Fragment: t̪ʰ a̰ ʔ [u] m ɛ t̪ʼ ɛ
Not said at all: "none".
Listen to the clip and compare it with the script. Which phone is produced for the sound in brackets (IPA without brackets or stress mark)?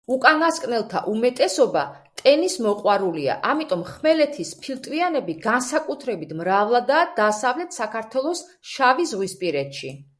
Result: u